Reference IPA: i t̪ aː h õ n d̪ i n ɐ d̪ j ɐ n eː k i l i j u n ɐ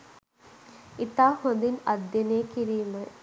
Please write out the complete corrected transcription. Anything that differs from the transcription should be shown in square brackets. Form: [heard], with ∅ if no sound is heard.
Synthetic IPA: i t̪ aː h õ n d̪ i n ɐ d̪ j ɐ n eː k i [ɾ] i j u [m] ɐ